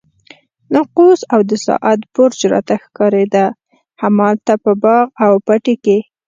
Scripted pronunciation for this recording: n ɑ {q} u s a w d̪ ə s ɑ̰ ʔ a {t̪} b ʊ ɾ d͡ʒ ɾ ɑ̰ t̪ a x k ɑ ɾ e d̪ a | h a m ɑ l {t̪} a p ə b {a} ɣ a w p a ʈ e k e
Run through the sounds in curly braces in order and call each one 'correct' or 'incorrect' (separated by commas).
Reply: correct, correct, correct, incorrect